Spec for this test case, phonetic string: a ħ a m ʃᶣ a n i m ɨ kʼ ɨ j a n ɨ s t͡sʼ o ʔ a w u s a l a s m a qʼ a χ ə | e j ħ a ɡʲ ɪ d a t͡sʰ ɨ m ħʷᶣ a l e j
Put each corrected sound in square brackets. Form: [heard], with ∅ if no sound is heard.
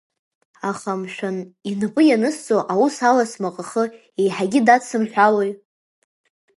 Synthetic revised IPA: a [χ] a m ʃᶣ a n i [n] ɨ [pʼ] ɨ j a n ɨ s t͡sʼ o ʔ a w u s a l a s m a qʼ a χ ə | e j ħ a ɡʲ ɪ d a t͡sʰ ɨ m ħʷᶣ a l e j